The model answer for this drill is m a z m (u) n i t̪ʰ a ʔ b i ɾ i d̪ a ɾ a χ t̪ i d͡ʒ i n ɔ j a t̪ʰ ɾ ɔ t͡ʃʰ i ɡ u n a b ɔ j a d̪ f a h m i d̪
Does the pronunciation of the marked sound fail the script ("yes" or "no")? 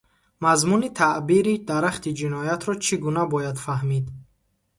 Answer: no